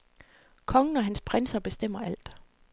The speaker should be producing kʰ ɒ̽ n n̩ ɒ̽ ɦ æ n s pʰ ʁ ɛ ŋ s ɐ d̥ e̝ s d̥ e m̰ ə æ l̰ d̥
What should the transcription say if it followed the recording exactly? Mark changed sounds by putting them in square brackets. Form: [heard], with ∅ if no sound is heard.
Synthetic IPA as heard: kʰ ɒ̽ [ŋ] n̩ ɒ̽ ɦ æ n s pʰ ʁ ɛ [n] s ɐ [b̥] e̝ s d̥ e m̰ [ɐ] æ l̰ d̥